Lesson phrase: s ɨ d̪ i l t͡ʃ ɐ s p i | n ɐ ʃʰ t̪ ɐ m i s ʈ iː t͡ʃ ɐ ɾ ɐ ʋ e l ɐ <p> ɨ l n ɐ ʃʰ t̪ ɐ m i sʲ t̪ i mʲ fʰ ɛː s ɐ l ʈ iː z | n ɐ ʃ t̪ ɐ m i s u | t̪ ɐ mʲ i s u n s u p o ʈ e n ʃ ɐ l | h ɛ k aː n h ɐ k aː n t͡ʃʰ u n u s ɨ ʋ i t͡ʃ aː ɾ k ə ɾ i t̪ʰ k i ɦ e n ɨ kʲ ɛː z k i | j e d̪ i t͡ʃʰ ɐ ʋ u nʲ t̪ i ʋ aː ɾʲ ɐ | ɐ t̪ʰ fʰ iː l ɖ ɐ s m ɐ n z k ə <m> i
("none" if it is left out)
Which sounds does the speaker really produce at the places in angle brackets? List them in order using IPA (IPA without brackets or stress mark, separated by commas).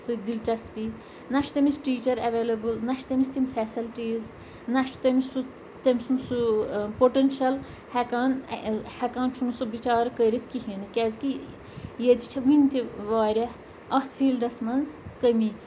b, m